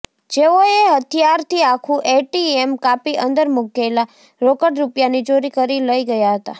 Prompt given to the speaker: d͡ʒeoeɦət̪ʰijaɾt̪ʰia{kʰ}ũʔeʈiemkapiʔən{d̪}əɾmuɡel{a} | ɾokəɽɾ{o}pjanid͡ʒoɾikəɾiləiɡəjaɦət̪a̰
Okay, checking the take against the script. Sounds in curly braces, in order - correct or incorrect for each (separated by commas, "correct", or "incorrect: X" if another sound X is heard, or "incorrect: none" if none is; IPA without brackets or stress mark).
correct, correct, correct, incorrect: u